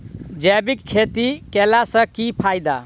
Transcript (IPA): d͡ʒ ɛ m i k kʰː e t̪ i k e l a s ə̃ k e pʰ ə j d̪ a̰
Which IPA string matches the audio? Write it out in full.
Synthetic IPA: d͡ʒ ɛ b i k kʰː e t̪ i k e l a s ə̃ k i pʰ a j d̪ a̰